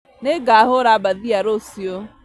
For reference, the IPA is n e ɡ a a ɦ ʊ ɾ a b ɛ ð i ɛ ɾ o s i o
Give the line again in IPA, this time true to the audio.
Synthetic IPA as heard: n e ɡ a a ɦ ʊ ɾ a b a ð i a ɾ o s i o